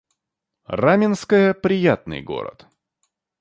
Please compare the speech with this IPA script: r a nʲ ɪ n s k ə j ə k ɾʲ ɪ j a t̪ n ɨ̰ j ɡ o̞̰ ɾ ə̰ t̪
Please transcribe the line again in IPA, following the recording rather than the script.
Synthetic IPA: r a mʲ ɪ n s k ə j ə p ɾʲ ɪ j a t̪ n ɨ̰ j ɡ o̞̰ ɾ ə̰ t̪